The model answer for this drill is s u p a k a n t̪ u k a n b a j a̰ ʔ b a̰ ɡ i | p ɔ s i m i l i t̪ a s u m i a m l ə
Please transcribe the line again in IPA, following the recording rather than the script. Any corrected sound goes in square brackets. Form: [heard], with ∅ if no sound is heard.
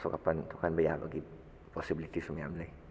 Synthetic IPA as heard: s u [k] a [p] a n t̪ u k a n b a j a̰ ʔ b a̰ ɡ i | p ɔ s i [b] i l i t̪ [i] s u m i a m l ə